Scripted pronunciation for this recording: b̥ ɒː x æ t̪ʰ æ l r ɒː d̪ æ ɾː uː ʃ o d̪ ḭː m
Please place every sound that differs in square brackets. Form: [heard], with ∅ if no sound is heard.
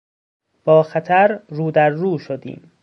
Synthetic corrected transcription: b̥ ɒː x æ t̪ʰ æ [ɾ] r [uː] d̪ æ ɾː uː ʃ o d̪ ḭː m

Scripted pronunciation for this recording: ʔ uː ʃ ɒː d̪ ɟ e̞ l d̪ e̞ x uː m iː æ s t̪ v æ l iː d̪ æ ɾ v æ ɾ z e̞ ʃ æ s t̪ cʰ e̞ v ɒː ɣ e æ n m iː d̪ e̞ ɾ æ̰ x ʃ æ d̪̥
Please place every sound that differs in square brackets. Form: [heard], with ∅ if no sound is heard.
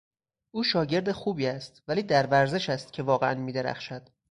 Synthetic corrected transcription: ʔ uː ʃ ɒː [∅] ɟ e̞ [ɾ] d̪ e̞ x uː [b] iː æ s t̪ v æ l iː d̪ æ ɾ v æ ɾ z e̞ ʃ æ s t̪ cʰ e̞ v ɒː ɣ e æ n m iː d̪ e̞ ɾ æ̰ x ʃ æ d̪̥

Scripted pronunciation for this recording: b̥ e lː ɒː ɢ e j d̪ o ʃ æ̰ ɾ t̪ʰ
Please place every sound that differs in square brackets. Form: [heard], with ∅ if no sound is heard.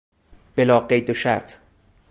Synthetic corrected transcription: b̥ e [l] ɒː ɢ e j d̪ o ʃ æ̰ ɾ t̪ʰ

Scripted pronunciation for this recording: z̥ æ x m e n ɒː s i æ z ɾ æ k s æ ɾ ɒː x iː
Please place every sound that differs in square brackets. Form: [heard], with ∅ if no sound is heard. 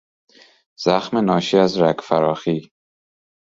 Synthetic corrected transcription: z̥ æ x m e n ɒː [ʃ] i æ z ɾ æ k [f] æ ɾ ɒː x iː

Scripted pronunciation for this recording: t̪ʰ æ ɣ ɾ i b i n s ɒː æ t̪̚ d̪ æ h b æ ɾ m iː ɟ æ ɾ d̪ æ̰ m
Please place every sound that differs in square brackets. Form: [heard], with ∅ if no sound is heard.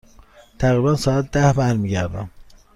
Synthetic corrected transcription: t̪ʰ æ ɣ ɾ i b [æ] n s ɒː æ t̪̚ d̪ æ h b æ ɾ m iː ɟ æ ɾ d̪ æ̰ m

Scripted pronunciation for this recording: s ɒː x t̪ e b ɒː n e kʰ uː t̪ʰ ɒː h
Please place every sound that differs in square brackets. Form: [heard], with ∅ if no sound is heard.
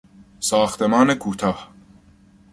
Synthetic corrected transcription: s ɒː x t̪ e [m] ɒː n e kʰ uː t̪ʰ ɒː h

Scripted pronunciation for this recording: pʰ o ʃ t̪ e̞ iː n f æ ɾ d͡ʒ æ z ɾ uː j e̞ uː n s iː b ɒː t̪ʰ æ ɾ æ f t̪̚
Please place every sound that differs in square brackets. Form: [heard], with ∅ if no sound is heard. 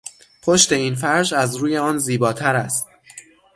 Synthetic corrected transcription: pʰ o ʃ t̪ e̞ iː n f æ ɾ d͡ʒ æ z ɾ uː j e̞ [ɒː] n [z] iː b ɒː t̪ʰ æ ɾ æ [s] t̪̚

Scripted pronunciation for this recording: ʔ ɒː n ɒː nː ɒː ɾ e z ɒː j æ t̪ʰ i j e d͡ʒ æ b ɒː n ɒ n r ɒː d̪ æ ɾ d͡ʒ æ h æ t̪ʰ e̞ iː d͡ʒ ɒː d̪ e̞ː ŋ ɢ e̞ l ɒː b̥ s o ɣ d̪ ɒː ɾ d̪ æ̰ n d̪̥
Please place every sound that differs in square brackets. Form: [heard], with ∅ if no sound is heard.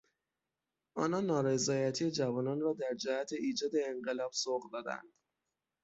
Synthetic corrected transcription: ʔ ɒː n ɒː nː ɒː ɾ e z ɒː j æ t̪ʰ i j e d͡ʒ æ [v] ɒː n ɒ n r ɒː d̪ æ ɾ d͡ʒ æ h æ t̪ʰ e̞ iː d͡ʒ ɒː d̪ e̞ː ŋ ɢ e̞ l ɒː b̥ s o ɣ d̪ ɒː [∅] d̪ æ̰ n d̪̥

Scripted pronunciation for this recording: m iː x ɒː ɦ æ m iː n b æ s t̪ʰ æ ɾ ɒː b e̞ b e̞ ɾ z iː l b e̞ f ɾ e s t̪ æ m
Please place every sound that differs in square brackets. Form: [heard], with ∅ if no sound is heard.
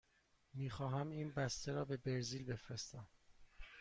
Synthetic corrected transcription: m iː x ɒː ɦ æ m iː n b æ s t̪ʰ [e] ɾ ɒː b e̞ b e̞ ɾ z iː l b e̞ f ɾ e s t̪ æ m

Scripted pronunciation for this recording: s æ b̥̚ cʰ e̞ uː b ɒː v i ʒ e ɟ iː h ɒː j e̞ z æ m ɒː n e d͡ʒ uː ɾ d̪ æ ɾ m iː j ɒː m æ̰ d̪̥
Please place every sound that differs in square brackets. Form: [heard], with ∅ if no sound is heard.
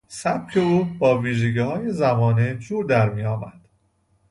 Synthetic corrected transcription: s æ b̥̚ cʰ e̞ uː b ɒː v [iː] ʒ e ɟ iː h ɒː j e̞ z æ m ɒː n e d͡ʒ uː ɾ d̪ æ ɾ m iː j ɒː m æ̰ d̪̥

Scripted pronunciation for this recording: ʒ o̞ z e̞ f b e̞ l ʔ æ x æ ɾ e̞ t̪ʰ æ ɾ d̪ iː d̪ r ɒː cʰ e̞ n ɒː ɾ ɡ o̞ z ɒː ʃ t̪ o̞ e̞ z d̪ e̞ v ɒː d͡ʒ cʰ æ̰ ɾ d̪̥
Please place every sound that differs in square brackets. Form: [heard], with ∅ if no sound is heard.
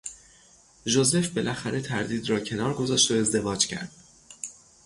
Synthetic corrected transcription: ʒ o̞ z e̞ f b e̞ l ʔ æ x æ ɾ e̞ t̪ʰ æ ɾ d̪ iː d̪ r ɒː cʰ e̞ n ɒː ɾ ɡ o̞ z ɒː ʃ t̪ o̞ e̞ z d̪ e̞ v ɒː d͡ʒ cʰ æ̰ ɾ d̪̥

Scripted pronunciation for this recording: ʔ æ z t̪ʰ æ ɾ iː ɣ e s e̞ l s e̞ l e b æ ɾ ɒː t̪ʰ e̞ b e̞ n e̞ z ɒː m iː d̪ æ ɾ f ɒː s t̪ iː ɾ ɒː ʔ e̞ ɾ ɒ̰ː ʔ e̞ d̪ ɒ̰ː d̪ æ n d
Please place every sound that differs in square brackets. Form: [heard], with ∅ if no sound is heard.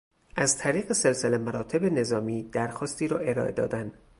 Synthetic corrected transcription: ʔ æ z t̪ʰ æ ɾ iː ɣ e s e̞ l s e̞ l e [m] æ ɾ ɒː t̪ʰ e̞ b e̞ n e̞ z ɒː m iː d̪ æ ɾ [x] ɒː s t̪ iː ɾ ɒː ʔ e̞ ɾ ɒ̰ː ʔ e̞ d̪ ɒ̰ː d̪ æ n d

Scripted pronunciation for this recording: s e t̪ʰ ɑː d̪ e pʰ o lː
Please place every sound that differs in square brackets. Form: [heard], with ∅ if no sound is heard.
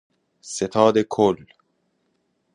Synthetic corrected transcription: s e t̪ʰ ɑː d̪ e [kʰ] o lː

